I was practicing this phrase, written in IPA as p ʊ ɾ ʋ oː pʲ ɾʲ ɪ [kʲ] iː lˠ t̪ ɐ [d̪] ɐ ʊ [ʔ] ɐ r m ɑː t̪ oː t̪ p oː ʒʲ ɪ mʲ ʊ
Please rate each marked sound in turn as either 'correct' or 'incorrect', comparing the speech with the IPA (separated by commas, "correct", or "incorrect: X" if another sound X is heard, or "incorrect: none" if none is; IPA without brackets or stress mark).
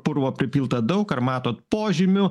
incorrect: pʲ, correct, incorrect: k